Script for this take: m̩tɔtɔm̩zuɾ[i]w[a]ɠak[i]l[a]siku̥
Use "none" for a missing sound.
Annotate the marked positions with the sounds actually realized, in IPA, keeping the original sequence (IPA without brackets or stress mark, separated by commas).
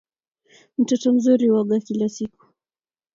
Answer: i, a, i, a